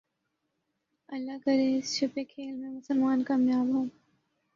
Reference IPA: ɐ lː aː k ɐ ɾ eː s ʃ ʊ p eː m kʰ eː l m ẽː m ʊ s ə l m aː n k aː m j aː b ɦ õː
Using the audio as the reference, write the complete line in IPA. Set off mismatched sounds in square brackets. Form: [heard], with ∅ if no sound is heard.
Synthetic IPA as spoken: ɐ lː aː k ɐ ɾ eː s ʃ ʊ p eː [∅] kʰ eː l m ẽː m ʊ s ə l m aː n k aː m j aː b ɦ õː